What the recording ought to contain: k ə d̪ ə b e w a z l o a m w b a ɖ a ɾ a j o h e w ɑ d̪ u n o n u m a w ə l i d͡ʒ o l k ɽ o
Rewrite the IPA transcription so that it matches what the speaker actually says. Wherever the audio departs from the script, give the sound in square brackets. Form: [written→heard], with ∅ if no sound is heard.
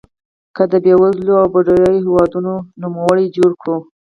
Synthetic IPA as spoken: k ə d̪ ə b e w a z l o a [m→∅] w b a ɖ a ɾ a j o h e w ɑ d̪ u n o n u m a w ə [l→ɽ] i d͡ʒ o [l→ɽ] k ɽ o